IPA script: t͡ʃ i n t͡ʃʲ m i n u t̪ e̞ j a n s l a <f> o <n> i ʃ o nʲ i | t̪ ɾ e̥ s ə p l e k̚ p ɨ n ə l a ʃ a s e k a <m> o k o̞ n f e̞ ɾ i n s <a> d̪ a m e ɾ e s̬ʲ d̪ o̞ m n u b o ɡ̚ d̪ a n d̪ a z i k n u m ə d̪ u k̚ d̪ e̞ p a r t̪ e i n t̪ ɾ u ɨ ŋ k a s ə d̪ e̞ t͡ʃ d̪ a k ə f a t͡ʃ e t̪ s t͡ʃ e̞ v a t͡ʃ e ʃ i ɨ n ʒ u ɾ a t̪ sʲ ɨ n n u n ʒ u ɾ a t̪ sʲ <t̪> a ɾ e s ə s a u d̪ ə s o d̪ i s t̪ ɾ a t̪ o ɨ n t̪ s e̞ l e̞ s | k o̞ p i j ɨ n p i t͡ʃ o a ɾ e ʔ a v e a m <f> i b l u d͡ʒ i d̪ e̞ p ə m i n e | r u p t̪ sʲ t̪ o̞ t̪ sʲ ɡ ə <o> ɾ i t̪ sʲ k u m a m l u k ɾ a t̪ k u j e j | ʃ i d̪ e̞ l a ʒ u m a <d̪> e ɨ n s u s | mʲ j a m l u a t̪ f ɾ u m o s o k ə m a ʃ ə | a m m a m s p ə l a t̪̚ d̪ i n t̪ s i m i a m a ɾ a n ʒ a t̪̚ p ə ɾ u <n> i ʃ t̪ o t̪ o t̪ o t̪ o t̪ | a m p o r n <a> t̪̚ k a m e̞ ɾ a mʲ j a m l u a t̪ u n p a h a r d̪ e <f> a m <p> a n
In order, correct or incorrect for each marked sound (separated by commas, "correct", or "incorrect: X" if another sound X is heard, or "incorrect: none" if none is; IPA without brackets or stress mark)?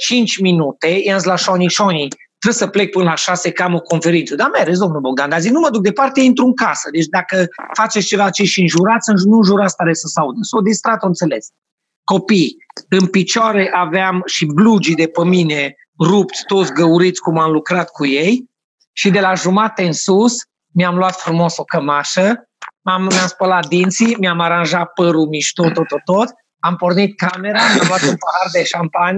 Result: incorrect: ʃ, correct, correct, incorrect: ə, correct, incorrect: ʃ, incorrect: u, incorrect: t̪, incorrect: m, incorrect: i, incorrect: ʃ, correct